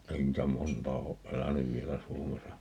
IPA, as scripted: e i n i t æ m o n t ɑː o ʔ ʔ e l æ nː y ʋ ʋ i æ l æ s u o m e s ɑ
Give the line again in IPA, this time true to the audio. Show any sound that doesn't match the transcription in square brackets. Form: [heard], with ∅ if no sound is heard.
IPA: e i n [iː] t æ m o n t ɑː o ʔ ʔ e l æ [n] y ʋ ʋ i [e] l æ s u o m e s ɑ